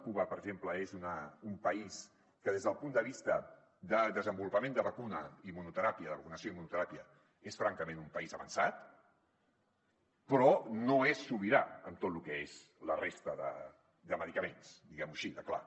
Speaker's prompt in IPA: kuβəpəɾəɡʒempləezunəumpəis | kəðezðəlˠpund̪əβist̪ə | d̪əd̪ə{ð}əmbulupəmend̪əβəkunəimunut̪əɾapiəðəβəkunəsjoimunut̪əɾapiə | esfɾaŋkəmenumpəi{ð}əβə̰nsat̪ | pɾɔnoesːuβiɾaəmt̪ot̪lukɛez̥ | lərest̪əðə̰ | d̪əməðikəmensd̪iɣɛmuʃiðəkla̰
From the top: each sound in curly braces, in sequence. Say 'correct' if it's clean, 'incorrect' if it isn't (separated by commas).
incorrect, incorrect